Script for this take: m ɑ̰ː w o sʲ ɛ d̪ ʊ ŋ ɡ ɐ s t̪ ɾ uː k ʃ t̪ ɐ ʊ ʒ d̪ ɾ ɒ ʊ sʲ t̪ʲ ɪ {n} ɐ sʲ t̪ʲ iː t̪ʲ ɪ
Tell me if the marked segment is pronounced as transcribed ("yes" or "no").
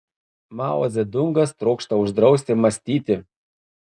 no